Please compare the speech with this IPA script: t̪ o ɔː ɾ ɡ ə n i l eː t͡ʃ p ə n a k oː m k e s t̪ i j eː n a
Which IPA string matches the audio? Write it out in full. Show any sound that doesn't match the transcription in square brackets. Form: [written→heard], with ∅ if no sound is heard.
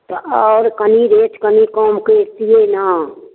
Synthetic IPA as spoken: t̪ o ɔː ɾ [ɡ→k] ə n i [l→ɾ] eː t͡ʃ [p→k] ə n [a→i] k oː m k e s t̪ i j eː n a